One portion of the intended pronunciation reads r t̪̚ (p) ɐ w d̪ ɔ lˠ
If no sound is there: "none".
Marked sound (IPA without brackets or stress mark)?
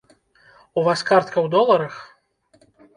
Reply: k